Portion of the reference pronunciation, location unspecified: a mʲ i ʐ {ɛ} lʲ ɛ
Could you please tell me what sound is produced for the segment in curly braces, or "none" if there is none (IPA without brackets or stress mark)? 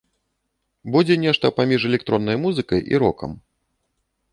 ɛ